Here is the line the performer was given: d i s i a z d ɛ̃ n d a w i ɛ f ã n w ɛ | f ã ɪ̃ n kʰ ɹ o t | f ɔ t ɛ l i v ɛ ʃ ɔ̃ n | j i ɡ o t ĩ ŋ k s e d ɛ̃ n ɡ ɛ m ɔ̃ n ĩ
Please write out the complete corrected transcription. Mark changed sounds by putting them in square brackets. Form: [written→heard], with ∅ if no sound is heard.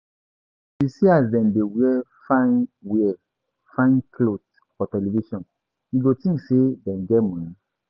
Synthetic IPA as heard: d i s i a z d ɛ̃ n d [a→e] w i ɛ f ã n w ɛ | f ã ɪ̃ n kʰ [ɹ→l] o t | f ɔ t ɛ l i v [ɛ→i] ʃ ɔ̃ n | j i ɡ o t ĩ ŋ k s e d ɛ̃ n ɡ ɛ m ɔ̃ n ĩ

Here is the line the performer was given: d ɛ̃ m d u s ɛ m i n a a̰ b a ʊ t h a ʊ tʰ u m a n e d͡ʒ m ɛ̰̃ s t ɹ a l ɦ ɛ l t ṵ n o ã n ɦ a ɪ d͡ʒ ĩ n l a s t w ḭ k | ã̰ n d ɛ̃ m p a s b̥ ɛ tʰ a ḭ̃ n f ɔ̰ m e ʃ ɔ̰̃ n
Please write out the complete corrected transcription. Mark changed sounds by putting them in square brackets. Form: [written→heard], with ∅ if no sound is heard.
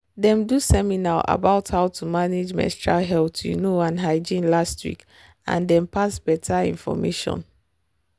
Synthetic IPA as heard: d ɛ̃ m d u s ɛ m i n a a̰ b a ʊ t h a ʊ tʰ u m a n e d͡ʒ m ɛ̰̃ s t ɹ a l ɦ ɛ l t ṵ n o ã n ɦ a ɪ d͡ʒ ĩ n l a s t w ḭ k | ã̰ n d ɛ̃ m p a s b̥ ɛ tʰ a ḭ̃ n f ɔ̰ m e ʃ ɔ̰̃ n

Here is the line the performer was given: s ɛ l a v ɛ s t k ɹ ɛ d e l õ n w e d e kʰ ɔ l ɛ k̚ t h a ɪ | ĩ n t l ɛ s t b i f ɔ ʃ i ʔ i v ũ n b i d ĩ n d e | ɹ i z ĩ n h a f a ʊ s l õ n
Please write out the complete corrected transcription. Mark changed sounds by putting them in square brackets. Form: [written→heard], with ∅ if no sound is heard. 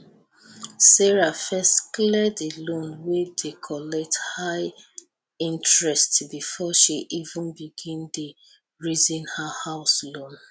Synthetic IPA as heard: s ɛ [l→ɹ] a [v→f] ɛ s t k [ɹ→l] ɛ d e l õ n w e d e kʰ ɔ l ɛ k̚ t h a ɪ | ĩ n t [l→ɹ] ɛ s t b i f ɔ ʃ i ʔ i v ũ n b i [d→ɡ] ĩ n d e | ɹ i z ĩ n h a [f→h] a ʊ s l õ n

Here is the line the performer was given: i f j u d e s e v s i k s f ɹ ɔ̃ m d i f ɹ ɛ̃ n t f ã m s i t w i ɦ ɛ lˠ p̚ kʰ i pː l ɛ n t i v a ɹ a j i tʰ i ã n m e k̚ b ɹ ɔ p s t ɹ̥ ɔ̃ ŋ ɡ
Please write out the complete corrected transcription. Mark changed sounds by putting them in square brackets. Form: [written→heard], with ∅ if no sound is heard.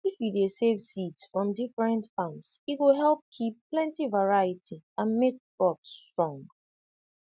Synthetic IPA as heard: i f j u d e s e v s i [k→t] s f ɹ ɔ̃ m d i f ɹ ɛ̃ n t f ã m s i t w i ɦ ɛ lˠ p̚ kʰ i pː l [ɛ→ɛ̃] n t i v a ɹ a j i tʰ i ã n m e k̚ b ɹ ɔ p s t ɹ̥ ɔ̃ ŋ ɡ

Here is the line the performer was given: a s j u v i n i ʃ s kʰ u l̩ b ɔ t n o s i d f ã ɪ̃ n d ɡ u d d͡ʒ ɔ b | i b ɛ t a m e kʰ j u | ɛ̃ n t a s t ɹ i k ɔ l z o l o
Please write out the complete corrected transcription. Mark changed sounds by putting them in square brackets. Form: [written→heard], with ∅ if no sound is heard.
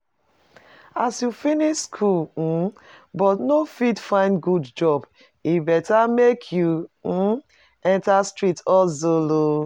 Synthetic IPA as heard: a s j u [v→f] i n i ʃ s kʰ u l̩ b ɔ t n o [s→f] i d f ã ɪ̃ n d ɡ u d d͡ʒ ɔ b | i b ɛ t a m e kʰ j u | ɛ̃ n t a s t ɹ i [k→t] ɔ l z o l o

